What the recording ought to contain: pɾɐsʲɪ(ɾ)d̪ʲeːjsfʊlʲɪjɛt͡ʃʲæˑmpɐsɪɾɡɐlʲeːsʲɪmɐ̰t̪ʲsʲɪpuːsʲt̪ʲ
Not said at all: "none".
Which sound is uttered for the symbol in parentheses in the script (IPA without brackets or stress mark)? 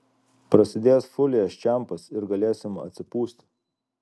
none